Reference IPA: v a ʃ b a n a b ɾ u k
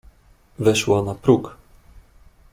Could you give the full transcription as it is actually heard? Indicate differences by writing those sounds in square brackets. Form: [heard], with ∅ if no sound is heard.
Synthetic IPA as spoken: v [ɛ] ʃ [w] a n a [p] ɾ u k